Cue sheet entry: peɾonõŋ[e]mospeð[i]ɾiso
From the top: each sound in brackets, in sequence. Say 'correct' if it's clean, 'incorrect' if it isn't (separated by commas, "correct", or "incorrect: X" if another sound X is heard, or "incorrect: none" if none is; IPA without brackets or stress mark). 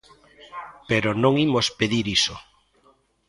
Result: incorrect: i, correct